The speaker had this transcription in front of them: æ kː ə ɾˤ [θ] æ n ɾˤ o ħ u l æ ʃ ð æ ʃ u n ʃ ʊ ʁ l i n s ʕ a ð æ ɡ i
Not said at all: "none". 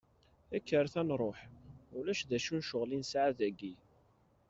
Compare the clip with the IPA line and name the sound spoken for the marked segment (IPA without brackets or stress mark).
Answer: θ